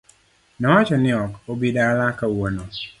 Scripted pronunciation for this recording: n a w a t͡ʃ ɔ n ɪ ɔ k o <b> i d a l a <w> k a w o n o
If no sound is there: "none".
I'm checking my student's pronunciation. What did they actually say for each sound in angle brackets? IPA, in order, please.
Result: b, none

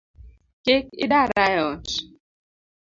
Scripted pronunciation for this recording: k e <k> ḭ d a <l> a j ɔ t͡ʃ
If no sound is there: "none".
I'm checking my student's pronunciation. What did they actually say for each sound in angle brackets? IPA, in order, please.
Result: k, ɾ

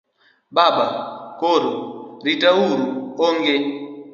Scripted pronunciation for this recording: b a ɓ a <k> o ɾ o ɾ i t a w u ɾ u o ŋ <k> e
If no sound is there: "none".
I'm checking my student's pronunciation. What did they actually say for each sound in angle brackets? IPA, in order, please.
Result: k, ɡ

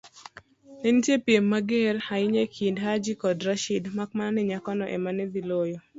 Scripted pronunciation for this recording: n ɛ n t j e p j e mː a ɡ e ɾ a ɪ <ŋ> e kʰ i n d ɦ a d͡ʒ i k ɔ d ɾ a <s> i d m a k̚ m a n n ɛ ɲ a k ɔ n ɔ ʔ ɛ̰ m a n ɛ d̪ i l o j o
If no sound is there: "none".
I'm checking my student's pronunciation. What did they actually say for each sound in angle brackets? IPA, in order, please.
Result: ɲ, ʃ

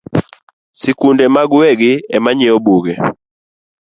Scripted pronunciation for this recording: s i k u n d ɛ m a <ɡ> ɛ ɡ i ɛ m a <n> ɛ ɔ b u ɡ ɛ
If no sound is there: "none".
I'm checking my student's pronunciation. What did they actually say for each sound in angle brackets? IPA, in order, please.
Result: ɡ, ɲ

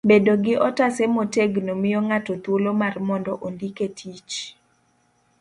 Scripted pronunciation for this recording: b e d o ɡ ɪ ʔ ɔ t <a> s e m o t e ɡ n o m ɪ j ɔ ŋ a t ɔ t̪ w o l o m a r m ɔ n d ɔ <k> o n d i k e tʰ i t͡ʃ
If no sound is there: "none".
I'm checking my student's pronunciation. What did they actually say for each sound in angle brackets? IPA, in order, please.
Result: a, ʔ

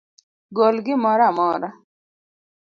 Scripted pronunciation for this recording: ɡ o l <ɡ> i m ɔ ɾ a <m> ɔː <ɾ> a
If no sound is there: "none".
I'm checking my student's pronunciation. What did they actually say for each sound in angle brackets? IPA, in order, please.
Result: ɡ, m, ɾ

